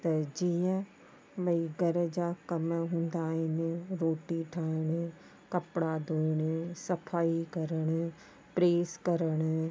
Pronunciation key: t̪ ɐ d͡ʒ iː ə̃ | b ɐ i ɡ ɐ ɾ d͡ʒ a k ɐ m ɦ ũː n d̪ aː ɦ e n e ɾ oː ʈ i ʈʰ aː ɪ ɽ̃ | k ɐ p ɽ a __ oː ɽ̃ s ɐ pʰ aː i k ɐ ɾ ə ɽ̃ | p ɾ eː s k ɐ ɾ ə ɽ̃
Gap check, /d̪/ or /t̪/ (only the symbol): d̪